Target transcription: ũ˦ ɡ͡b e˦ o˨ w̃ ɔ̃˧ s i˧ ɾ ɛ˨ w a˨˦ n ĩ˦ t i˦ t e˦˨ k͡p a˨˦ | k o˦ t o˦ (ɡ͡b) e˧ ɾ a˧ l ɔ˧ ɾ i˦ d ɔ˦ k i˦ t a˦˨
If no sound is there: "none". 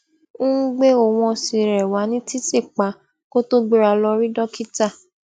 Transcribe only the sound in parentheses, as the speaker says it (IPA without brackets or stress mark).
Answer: ɡ͡b